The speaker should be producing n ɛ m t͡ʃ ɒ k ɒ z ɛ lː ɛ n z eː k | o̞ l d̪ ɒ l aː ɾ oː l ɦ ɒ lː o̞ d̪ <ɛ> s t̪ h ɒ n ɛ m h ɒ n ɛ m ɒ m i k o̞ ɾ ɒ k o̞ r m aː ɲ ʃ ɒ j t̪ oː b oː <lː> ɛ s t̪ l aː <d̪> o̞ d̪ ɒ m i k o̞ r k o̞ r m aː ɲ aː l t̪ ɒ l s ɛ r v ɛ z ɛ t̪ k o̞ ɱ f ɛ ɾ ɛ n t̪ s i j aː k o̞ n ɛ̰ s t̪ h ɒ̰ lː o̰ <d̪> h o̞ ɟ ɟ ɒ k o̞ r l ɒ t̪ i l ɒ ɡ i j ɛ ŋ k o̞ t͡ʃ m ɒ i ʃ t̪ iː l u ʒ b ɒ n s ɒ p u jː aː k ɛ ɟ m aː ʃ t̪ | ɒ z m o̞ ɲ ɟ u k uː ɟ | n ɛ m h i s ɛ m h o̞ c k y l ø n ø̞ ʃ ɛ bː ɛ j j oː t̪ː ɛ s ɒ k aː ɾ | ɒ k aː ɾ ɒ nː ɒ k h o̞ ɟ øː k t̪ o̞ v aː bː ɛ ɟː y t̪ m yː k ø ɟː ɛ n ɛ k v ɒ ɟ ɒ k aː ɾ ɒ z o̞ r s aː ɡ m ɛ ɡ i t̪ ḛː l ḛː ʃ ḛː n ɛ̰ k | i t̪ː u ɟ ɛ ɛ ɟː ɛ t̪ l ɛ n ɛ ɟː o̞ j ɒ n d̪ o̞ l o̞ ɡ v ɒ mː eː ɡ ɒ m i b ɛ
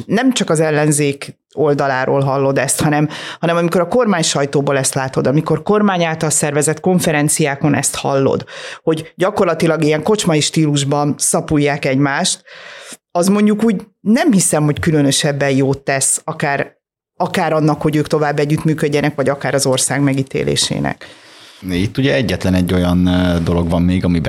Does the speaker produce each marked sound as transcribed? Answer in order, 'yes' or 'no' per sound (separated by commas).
yes, no, no, yes